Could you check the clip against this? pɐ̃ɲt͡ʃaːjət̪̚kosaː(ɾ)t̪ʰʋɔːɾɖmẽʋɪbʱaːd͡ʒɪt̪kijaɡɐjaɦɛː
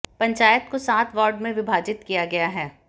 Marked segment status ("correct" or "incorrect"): incorrect